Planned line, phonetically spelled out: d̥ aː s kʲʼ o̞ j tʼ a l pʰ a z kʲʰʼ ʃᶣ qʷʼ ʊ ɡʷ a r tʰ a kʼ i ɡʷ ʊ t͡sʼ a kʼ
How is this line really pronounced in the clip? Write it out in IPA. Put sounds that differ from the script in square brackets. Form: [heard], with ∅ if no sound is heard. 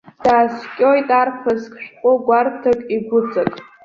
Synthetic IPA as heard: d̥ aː s kʲʼ o̞ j tʼ a [r] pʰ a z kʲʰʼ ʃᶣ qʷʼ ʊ ɡʷ a r tʰ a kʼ i ɡʷ ʊ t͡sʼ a kʼ